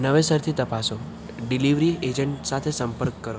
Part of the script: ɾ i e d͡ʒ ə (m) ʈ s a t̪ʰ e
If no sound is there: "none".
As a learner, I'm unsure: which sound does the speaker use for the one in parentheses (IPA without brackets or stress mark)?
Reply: ɳ